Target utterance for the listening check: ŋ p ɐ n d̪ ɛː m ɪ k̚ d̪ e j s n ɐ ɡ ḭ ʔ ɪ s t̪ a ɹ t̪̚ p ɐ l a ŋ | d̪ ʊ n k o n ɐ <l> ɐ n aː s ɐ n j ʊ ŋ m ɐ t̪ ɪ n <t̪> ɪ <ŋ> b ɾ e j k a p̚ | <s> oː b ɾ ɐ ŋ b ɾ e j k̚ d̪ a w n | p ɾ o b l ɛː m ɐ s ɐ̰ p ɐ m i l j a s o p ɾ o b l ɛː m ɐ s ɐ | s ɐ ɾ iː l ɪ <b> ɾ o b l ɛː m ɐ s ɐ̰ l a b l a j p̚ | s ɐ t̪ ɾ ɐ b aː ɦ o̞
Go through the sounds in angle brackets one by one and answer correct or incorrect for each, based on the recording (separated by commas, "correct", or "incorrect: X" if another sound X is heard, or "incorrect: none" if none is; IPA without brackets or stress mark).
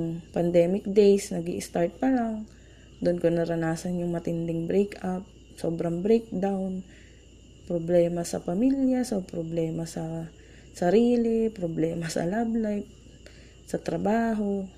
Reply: incorrect: ɾ, incorrect: d̪, correct, correct, incorrect: p